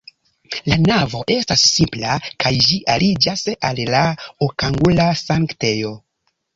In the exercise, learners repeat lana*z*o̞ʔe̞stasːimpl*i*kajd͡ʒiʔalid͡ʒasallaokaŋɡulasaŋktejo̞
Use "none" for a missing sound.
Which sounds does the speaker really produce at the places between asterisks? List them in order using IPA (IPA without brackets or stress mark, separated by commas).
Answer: v, a